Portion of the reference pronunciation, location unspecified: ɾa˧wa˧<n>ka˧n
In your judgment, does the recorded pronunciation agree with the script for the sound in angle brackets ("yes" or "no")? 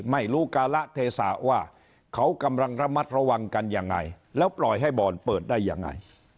no